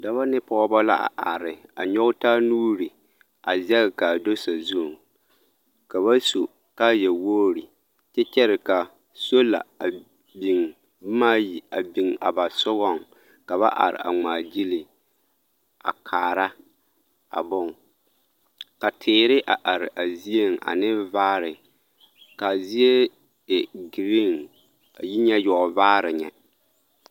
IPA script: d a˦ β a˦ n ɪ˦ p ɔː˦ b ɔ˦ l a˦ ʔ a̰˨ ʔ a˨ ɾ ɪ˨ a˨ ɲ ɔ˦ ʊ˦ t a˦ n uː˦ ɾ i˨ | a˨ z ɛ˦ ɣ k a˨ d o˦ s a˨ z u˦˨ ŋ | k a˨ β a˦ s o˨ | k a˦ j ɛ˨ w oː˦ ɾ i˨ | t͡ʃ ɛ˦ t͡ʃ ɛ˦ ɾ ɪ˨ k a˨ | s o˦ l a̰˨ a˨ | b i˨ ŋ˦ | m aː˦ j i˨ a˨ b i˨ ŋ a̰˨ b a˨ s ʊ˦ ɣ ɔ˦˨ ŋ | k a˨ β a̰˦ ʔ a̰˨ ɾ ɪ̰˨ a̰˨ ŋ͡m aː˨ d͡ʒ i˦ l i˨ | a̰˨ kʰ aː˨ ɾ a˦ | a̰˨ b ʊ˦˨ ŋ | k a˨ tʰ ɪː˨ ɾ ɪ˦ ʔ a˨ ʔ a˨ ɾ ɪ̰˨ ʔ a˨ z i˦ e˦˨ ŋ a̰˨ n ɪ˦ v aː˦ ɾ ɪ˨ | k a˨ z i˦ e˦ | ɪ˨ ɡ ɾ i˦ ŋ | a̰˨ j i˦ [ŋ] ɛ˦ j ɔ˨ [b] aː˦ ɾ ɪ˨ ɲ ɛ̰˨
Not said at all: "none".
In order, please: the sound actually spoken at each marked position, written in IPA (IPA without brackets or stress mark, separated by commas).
ɲ, v